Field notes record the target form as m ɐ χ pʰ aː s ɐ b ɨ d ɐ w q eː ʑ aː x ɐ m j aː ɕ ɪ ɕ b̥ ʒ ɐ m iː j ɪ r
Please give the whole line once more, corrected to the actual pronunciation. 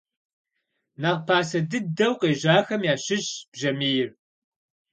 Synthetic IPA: n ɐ ʁ pʰ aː s ɐ d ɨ d ɐ w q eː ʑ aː x ɐ m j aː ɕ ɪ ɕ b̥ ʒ ɐ m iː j ɪ r